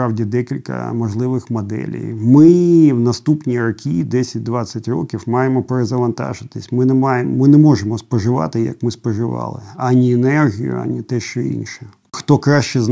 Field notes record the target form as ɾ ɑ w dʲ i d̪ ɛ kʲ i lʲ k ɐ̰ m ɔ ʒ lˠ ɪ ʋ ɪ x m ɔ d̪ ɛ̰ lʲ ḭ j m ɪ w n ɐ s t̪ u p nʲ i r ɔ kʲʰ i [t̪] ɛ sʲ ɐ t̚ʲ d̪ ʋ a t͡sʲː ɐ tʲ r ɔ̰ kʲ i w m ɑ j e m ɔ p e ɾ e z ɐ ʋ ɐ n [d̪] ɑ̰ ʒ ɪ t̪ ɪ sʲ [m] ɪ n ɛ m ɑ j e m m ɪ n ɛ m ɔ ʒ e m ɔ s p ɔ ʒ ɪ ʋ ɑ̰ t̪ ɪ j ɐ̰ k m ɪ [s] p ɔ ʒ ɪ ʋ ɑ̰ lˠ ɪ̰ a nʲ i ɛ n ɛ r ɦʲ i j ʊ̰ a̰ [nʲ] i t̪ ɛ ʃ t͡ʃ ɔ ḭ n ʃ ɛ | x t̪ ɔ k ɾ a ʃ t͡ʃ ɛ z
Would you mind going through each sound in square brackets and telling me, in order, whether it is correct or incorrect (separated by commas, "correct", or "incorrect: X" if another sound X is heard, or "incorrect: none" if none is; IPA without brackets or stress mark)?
incorrect: d̪, incorrect: t̪, correct, correct, correct